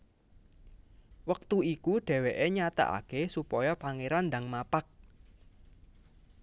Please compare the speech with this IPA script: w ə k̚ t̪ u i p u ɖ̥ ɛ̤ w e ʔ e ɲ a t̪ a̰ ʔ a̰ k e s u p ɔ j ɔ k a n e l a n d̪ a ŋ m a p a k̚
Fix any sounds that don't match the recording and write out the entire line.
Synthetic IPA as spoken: w ə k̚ t̪ u i k u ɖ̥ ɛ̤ w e ʔ e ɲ a t̪ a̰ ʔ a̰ k e s u p ɔ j ɔ p a ŋ e ɾ a n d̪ a ŋ m a p a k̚